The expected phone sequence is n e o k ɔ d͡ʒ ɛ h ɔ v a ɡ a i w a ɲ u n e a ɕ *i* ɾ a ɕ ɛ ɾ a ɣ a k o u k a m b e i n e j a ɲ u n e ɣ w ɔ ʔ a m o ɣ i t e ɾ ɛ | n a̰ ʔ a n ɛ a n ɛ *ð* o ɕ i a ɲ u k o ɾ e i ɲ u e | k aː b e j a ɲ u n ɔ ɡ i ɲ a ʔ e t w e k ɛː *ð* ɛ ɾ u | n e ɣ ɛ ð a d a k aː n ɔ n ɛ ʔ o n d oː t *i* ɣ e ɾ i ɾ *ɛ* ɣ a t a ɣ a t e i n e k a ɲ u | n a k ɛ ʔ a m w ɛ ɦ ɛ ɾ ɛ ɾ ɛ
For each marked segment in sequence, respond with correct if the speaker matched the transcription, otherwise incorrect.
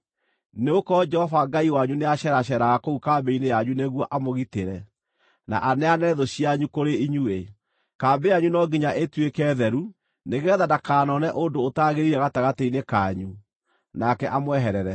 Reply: incorrect: ɛ, correct, correct, incorrect: a, correct

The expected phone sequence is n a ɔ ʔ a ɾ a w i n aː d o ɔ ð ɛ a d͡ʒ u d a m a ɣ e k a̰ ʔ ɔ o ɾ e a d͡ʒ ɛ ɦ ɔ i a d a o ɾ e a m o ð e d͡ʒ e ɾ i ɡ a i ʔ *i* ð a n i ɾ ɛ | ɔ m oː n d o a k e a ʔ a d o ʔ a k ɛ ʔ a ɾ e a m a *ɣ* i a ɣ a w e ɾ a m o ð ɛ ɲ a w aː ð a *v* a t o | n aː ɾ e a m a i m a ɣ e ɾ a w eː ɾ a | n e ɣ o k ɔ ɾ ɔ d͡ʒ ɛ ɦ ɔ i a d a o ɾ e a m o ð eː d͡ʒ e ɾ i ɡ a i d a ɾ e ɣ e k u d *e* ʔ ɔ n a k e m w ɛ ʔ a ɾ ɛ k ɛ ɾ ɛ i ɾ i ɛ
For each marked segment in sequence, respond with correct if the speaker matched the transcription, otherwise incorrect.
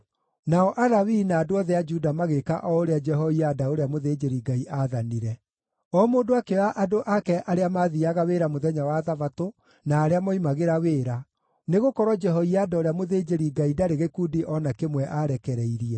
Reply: incorrect: a, incorrect: ð, correct, incorrect: i

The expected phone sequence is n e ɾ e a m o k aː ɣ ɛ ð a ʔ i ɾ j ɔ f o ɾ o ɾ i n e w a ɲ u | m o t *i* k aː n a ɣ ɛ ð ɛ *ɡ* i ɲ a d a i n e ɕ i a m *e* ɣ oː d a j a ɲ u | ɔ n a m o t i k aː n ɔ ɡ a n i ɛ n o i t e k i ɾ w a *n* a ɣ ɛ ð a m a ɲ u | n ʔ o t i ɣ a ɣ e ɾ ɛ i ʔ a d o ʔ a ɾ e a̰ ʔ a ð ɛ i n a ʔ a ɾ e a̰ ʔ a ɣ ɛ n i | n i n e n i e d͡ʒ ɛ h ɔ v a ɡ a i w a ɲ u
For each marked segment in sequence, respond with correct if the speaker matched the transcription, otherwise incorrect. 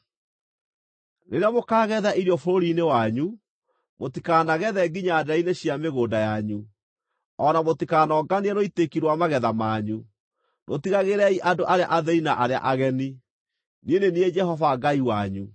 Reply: correct, correct, correct, incorrect: m

